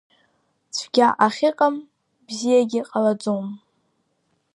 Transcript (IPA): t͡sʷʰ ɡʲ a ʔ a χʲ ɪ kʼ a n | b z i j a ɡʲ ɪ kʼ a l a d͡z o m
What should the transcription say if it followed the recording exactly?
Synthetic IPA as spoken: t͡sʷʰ ɡʲ a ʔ a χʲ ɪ qʼ a m | b z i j a ɡʲ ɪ qʼ a l a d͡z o m